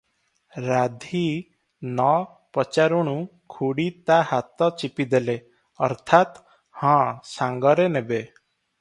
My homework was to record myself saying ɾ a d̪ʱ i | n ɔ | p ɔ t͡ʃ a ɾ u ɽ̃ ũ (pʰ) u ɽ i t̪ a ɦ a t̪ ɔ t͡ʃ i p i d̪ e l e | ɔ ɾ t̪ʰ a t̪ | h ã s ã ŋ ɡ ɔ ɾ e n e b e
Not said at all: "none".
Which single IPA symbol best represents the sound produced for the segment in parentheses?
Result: kʰ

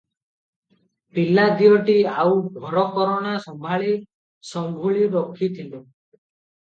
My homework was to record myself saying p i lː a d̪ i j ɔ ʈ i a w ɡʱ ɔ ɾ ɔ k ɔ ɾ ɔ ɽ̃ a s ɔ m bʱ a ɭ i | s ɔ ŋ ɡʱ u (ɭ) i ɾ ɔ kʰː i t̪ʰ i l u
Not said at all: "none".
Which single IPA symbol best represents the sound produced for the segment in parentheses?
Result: ɭ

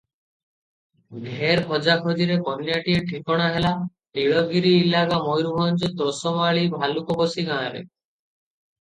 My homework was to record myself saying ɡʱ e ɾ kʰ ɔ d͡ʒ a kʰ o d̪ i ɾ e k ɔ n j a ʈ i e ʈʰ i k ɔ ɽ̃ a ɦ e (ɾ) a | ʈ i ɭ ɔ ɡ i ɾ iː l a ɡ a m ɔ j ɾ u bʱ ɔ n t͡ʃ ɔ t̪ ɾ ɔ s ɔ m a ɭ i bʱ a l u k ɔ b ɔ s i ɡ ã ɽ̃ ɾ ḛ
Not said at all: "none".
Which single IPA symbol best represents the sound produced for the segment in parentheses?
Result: l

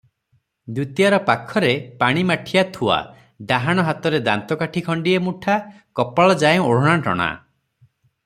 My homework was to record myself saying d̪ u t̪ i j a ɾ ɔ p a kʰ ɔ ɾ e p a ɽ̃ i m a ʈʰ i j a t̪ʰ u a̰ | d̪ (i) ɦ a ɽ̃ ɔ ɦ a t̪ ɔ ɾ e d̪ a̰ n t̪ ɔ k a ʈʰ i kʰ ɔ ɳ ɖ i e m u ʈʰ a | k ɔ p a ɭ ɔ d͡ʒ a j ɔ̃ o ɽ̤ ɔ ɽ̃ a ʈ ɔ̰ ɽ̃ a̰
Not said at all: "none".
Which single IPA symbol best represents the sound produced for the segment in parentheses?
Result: a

